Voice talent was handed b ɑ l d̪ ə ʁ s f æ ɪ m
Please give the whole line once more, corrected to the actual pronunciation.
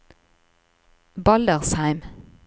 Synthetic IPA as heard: b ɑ l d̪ ə ʁ s h æ ɪ m